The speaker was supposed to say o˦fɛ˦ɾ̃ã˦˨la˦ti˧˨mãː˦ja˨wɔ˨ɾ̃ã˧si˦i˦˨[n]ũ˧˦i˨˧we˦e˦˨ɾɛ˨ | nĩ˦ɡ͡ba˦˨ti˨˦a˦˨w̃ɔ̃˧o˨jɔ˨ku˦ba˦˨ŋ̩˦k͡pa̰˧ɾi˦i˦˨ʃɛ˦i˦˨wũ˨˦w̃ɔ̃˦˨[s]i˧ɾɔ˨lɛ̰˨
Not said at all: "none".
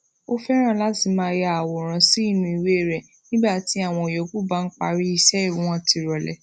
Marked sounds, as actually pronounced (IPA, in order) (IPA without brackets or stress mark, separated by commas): n, t